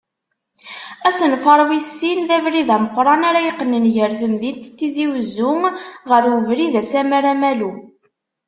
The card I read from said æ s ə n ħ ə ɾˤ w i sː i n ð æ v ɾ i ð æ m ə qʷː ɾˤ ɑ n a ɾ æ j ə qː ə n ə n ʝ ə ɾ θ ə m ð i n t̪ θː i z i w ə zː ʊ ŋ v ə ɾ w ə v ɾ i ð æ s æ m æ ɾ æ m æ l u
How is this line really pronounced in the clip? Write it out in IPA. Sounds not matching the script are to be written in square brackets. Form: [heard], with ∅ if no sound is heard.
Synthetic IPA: æ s ə n [f] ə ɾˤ w i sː i n ð æ v ɾ i ð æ m ə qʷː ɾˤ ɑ n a ɾ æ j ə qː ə n ə n ʝ ə ɾ θ ə m ð i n t̪ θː i z i w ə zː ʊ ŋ [ʁ] ə ɾ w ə v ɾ i ð æ s æ m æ ɾ æ m æ l u